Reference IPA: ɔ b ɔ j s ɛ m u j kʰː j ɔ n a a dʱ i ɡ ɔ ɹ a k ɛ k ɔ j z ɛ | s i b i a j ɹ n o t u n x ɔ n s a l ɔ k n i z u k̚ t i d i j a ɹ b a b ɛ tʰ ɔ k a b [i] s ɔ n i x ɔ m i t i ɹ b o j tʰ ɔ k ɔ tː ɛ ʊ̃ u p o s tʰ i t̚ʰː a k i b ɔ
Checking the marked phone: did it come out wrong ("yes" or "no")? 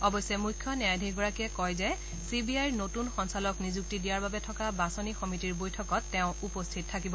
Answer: yes